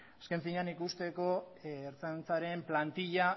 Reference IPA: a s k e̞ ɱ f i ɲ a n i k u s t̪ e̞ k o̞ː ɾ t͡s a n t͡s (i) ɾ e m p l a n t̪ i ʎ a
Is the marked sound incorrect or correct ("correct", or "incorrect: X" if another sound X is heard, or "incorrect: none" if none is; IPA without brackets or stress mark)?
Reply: incorrect: a